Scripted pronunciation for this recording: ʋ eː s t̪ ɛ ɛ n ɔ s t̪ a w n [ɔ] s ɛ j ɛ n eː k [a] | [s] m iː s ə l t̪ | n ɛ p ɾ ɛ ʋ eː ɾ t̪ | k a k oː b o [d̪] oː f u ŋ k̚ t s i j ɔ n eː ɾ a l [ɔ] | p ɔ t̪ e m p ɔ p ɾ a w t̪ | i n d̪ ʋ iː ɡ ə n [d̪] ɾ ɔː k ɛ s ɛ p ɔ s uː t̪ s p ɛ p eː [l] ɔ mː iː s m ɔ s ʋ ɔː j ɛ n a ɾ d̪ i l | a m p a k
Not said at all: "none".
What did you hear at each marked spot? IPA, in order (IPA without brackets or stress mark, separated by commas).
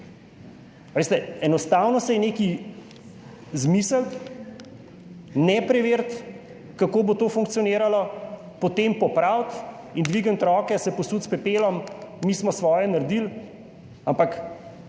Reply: ɔ, i, z, t̪, ɔ, t̪, l